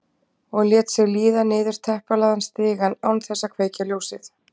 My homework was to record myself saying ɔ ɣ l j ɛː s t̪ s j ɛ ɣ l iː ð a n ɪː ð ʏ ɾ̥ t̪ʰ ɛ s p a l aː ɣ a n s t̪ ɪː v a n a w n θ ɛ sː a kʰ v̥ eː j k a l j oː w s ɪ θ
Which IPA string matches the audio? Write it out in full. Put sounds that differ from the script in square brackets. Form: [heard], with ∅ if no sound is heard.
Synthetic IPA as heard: ɔ ɣ l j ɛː [∅] t̪ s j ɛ ɣ l iː ð a n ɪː ð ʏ ɾ̥ t̪ʰ ɛ [h] p a l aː [ð] a n s t̪ ɪː [ɣ] a n a w n θ ɛ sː a kʰ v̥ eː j [c] a l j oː w s ɪ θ